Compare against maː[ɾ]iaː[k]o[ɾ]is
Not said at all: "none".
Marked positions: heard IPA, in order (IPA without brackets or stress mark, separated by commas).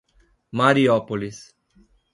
ɾ, p, l